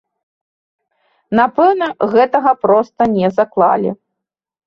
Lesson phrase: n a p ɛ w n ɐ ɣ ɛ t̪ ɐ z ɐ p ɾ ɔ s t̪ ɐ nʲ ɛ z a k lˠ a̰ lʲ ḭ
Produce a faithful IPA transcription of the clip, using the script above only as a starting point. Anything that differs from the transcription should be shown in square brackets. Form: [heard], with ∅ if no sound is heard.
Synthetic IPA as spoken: n a p ɛ w n ɐ ɣ ɛ t̪ ɐ [ɣ] ɐ p ɾ ɔ s t̪ ɐ nʲ ɛ z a k lˠ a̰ lʲ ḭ